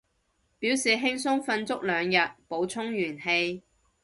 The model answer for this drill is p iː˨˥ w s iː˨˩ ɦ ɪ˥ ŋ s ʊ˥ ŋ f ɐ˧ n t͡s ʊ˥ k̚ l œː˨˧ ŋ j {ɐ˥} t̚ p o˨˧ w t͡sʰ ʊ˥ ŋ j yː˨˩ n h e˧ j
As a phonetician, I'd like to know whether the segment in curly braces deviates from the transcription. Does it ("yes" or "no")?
yes